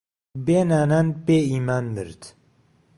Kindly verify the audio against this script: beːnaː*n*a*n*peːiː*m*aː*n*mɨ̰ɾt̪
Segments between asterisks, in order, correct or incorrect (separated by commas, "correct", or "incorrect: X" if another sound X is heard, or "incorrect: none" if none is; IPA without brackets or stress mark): correct, correct, correct, correct